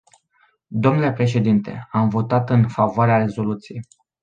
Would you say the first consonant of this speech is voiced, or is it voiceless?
voiced